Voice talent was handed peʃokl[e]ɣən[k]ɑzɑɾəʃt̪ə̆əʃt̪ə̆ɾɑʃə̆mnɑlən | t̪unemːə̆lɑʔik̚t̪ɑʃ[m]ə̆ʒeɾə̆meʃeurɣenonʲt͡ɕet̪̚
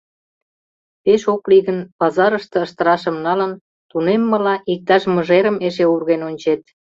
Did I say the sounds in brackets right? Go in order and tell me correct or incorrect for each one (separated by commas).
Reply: incorrect, incorrect, correct